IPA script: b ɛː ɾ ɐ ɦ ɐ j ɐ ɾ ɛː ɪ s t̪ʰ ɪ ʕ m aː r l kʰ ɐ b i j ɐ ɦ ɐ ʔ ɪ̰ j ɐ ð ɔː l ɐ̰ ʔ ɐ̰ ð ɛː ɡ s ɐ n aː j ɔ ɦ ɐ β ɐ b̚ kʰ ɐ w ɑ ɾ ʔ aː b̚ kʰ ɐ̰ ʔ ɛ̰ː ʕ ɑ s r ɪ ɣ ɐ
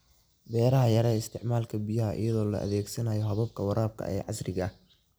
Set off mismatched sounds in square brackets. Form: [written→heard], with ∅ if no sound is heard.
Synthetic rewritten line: b ɛː ɾ ɐ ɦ ɐ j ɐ ɾ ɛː ɪ s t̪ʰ ɪ ʕ m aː [r→∅] l kʰ ɐ b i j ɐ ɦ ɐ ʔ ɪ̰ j ɐ ð ɔː l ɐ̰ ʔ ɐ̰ ð ɛː ɡ s ɐ n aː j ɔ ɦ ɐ β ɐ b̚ kʰ ɐ w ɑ ɾ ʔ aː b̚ kʰ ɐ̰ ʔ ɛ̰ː ʕ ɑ s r ɪ ɣ ɐ